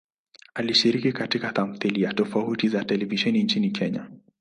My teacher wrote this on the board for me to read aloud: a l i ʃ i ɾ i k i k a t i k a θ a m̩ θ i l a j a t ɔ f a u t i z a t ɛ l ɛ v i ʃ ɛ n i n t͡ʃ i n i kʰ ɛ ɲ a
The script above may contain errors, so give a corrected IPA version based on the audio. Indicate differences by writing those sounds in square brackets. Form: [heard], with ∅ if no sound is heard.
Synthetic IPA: a l i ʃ i ɾ i k i k a t i k a θ a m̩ θ i l [i] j a t ɔ f a u t i z a t ɛ l ɛ v i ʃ ɛ n i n t͡ʃ i n i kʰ ɛ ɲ a